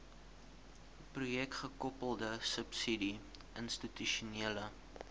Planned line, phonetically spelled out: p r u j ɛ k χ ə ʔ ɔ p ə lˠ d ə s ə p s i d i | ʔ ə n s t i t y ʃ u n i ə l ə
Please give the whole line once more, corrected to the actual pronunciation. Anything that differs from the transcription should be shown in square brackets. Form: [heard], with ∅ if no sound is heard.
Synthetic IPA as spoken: p r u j ɛ k χ ə [k] ɔ p ə lˠ d ə s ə p s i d i | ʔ ə n s t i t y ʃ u n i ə l ə